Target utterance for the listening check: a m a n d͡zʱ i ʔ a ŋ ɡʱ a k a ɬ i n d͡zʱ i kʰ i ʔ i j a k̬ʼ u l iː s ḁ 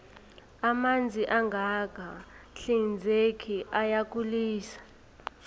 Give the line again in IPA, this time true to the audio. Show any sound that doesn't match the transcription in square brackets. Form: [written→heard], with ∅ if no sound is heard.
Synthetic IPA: a m a n d͡zʱ i ʔ a ŋ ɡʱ a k a ɬ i n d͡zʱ [i→e] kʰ i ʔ [i→a] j a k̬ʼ u l iː s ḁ